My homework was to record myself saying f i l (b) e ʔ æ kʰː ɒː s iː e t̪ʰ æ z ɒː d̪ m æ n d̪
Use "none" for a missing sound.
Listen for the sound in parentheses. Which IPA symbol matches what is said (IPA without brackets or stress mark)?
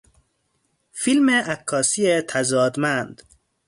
m